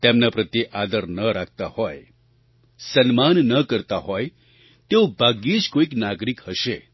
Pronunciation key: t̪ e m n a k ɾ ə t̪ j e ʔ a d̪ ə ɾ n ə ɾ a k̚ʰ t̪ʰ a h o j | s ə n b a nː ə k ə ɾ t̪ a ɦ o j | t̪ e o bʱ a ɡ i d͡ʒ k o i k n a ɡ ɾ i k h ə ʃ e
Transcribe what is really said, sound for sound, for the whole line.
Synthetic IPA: t̪ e m n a p ɾ ə t̪ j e ʔ a d̪ ə ɾ n ə ɾ a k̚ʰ t̪ a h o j | s ə n m a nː ə k ə ɾ t̪ a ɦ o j | t̪ e o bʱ a ɡ i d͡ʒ k o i k n a ɡ ɾ i k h ə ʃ e